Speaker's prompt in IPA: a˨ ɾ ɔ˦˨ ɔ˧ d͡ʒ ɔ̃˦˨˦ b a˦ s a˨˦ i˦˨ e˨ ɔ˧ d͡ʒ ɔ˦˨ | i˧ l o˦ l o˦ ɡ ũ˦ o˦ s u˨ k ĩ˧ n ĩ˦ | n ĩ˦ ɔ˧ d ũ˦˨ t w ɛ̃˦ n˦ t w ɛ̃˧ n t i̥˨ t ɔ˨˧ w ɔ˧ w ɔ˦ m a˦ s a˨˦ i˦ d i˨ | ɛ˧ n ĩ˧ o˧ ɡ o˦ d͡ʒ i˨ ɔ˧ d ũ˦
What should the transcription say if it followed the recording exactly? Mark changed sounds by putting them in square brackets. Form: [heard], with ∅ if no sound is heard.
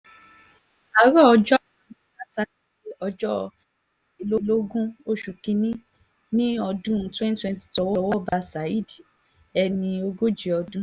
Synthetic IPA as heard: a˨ ɾ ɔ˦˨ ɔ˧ d͡ʒ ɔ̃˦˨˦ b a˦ s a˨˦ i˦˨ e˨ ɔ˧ d͡ʒ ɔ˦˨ | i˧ l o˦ l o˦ ɡ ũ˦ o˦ [ʃ] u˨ k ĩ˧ n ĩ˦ | n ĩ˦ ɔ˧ d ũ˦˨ t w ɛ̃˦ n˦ t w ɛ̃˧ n t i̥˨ t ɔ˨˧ w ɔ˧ w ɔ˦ [b] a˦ s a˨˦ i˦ d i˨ | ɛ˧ n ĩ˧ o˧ ɡ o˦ d͡ʒ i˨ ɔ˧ d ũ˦